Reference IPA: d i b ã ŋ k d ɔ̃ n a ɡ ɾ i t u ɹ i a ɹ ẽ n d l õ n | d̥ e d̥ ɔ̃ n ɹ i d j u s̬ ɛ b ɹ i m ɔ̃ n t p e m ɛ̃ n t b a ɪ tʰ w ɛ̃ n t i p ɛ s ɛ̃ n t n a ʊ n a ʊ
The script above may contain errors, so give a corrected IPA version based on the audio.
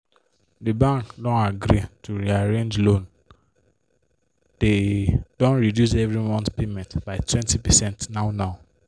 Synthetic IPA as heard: d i b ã ŋ k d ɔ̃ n a ɡ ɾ i t u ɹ i a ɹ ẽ n d͡ʒ l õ n | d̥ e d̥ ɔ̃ n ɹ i d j u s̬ ɛ v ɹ i m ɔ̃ n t p e m ɛ̃ n t b a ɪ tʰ w ɛ̃ n t i p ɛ s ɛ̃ n t n a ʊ n a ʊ